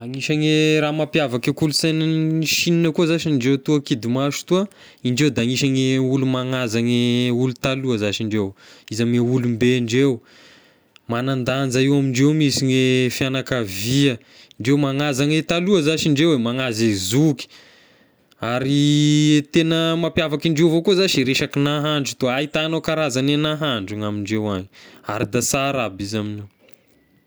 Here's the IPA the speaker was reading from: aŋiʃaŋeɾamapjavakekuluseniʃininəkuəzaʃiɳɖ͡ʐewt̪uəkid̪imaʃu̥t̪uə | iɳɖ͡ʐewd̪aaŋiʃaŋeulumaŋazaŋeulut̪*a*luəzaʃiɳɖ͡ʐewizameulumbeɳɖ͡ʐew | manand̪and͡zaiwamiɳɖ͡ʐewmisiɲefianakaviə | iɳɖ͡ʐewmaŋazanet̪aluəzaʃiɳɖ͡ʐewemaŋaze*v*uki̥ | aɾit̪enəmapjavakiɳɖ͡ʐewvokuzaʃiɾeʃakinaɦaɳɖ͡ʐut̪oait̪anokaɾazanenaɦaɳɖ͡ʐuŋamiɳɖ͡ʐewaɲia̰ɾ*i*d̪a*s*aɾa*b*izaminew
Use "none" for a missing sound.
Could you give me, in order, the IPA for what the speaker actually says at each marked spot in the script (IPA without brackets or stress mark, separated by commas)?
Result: a, z, i, s, b